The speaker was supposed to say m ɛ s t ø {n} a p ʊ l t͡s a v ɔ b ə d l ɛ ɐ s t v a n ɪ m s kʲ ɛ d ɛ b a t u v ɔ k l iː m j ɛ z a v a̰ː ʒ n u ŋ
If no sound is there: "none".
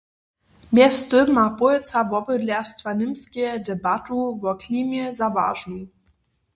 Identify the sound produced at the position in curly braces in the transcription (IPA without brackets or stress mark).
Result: m